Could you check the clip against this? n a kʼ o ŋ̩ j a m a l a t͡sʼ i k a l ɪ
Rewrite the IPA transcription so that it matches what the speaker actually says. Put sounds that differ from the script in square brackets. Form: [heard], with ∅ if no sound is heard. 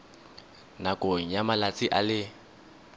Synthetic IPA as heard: n a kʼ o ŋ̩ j a m a l a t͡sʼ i [ʔ] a l ɪ